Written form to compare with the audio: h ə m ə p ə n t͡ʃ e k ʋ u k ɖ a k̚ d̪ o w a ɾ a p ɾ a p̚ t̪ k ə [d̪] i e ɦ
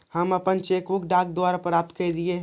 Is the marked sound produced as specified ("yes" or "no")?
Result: yes